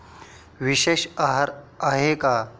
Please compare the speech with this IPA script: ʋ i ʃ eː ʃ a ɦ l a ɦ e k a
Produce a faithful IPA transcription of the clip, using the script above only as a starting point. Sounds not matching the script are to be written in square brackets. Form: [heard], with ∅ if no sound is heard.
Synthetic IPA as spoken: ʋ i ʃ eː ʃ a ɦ [ɾ] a ɦ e k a